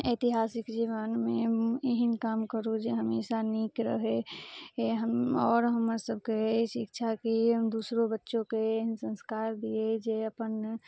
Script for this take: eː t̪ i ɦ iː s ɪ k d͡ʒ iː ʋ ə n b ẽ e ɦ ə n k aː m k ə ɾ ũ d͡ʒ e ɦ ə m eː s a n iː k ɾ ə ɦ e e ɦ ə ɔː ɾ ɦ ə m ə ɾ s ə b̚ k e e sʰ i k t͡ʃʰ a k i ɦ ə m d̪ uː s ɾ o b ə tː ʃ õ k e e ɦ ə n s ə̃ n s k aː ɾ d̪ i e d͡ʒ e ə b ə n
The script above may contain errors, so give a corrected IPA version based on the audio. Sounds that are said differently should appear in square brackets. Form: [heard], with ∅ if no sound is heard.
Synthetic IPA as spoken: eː t̪ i ɦ [aː] s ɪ k d͡ʒ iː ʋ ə n [m] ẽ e ɦ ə n k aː m k ə ɾ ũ d͡ʒ e ɦ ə m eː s a n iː k ɾ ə ɦ e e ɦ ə ɔː ɾ ɦ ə m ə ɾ s ə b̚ k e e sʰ i k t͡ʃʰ a k i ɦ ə m d̪ uː s ɾ o b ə tː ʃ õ k e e ɦ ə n s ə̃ n s k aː ɾ d̪ i e d͡ʒ e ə [p] ə n